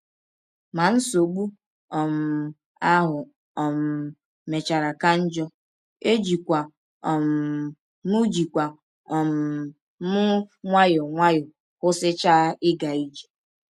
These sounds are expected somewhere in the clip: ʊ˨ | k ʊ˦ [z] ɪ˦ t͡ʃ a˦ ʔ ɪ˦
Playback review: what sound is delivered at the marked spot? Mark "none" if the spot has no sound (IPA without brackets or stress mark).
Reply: s